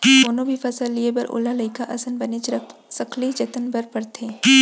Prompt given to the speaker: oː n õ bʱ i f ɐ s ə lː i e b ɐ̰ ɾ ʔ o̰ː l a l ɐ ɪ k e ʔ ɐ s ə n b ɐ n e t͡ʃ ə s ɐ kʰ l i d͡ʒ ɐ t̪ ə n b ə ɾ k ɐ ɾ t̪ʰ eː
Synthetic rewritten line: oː n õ bʱ i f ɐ s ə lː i e b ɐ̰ ɾ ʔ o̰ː l a l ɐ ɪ k a ʔ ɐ s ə n b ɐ n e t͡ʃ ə s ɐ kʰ l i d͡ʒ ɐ t̪ ə n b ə ɾ p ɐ ɾ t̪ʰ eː